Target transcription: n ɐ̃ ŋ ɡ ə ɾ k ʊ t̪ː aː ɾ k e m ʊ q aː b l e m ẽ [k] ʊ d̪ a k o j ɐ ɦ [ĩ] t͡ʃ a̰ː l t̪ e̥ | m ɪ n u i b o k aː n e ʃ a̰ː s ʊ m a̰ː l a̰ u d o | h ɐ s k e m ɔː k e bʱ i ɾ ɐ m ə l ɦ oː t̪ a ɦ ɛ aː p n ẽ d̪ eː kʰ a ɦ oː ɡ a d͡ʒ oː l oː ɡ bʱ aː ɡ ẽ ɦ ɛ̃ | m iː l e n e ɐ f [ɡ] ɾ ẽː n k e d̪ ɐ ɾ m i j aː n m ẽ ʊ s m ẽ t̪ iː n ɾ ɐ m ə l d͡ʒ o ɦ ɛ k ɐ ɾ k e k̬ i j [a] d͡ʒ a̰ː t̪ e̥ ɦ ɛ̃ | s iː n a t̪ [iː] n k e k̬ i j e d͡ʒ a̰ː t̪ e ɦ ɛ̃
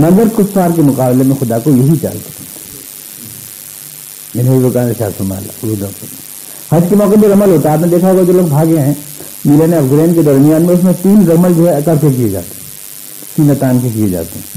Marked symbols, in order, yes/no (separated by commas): no, no, yes, no, no